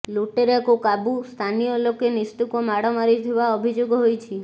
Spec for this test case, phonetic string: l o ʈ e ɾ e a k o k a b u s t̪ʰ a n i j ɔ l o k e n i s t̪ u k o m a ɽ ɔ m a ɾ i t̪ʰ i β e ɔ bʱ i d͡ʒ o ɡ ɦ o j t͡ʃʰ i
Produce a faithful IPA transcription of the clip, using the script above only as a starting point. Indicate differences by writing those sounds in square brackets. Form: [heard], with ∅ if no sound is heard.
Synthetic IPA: l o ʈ e ɾ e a k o k a b u s t̪ʰ a n i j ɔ l o k e n i s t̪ u k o m a ɽ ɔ m a ɾ i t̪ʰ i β [a] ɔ bʱ i d͡ʒ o ɡ ɦ o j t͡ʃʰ i